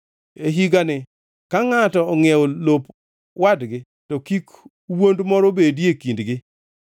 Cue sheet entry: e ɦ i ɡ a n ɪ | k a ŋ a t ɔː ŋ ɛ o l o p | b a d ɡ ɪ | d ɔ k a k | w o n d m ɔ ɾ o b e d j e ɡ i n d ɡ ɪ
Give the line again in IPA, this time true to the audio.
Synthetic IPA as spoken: e ɦ i ɡ a n ɪ | k a ŋ a t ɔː ŋ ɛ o l o p | w a d ɡ ɪ | t ɔ k i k | w o n d m ɔ ɾ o b e d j e k i n d ɡ ɪ